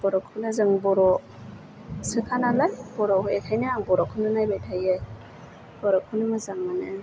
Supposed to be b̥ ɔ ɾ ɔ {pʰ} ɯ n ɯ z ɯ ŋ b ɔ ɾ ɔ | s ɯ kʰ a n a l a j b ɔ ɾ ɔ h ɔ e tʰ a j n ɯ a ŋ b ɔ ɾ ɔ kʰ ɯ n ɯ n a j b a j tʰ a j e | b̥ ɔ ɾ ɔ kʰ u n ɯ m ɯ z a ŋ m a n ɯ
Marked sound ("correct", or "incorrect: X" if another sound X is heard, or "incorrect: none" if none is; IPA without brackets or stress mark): incorrect: kʰ